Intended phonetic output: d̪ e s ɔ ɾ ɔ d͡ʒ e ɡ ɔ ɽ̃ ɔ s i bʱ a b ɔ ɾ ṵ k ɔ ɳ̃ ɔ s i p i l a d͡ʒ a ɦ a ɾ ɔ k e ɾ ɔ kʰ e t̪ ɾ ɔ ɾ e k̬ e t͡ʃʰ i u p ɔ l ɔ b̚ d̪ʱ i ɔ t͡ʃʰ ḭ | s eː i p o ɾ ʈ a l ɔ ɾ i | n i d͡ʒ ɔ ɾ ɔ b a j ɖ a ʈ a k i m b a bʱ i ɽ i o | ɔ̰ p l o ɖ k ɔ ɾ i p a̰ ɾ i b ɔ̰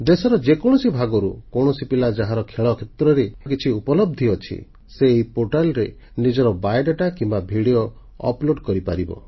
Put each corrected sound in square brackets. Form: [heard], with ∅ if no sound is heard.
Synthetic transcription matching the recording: d̪ e s ɔ ɾ ɔ d͡ʒ e [k] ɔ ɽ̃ ɔ s i bʱ a [ɡ] ɔ ɾ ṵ k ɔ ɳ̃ ɔ s i p i l a d͡ʒ a ɦ a ɾ ɔ [kʰ] e [ɭ] ɔ kʰ e t̪ ɾ ɔ ɾ e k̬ [i] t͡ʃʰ i u p ɔ l ɔ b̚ d̪ʱ i ɔ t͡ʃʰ ḭ | s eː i p o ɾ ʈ a l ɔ ɾ [e] | n i d͡ʒ ɔ ɾ ɔ b a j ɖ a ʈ a k i m b a bʱ i ɽ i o | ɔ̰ p l o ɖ k ɔ ɾ i p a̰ ɾ i b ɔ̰